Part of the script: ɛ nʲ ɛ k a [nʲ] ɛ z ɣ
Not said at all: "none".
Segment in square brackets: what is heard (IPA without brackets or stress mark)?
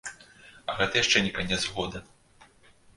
nʲ